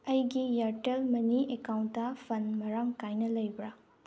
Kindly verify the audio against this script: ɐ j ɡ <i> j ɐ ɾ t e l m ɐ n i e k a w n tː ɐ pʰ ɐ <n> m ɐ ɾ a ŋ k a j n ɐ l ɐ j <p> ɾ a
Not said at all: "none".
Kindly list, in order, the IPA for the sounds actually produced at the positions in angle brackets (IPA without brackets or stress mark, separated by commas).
i, n, b